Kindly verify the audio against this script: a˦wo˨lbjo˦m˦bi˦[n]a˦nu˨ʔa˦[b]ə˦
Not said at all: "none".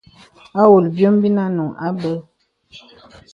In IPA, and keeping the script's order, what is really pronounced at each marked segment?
n, b

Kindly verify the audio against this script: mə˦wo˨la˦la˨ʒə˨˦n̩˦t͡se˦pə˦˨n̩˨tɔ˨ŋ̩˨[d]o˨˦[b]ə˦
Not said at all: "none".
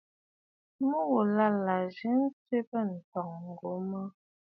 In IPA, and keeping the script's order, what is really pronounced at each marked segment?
ɡ, m

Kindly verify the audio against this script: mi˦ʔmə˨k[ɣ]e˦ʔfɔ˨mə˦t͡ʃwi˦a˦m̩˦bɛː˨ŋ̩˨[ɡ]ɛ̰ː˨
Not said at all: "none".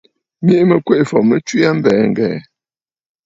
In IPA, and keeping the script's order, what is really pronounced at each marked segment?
w, ɡ

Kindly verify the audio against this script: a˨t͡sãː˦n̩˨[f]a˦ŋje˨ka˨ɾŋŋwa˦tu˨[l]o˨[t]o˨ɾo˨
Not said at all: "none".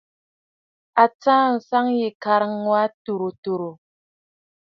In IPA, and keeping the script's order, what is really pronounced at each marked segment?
s, ɾ, t

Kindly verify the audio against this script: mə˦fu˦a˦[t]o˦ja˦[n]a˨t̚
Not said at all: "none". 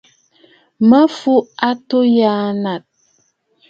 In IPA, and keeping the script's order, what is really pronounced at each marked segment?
t, n

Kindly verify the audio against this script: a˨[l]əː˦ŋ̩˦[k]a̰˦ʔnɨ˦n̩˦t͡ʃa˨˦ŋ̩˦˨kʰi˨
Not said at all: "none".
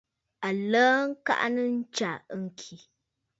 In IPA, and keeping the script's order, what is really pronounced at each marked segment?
l, k

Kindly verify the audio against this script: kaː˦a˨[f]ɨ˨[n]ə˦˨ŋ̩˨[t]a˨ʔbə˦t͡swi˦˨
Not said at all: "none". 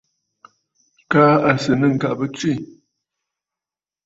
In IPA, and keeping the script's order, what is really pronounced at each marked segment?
s, n, k

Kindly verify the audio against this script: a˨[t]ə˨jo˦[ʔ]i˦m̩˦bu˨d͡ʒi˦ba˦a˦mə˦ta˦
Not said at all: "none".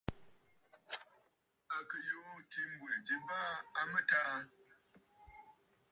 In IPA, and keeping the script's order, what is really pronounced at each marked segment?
k, t

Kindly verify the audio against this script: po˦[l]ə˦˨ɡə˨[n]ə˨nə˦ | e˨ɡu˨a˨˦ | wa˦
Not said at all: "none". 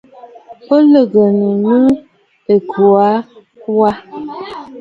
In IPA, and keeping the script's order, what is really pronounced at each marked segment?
l, n

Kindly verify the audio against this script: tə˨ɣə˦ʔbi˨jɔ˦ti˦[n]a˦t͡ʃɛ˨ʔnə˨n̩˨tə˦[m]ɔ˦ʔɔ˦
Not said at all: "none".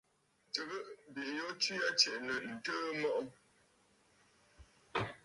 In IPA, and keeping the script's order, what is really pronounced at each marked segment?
none, m

